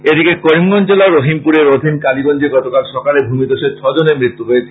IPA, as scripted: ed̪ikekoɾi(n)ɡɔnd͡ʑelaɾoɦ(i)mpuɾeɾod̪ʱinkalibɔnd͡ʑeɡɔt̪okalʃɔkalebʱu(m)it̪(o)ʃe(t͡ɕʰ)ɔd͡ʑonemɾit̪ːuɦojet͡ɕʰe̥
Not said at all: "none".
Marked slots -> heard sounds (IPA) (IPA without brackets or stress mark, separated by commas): m, i, m, o, t͡ɕʰ